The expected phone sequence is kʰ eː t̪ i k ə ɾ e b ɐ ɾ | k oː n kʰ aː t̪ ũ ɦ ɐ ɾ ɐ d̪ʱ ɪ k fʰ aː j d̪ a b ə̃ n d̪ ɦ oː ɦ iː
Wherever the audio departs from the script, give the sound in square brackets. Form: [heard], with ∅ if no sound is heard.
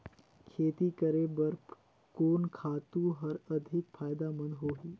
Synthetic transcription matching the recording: kʰ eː t̪ i k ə ɾ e b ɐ ɾ | k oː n kʰ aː t̪ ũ ɦ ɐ ɾ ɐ d̪ʱ ɪ k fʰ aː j d̪ a [m] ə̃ n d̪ ɦ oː ɦ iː